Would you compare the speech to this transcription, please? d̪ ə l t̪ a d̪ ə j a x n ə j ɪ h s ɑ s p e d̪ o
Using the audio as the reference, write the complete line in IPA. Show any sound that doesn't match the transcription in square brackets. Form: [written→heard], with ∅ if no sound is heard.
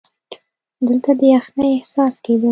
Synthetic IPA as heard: d̪ ə l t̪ a d̪ ə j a x n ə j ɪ h s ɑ s [p→k] e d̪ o